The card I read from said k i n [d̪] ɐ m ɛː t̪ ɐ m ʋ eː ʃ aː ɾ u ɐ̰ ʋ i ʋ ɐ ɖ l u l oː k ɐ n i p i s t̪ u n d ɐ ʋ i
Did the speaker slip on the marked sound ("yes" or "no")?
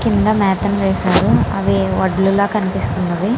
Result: no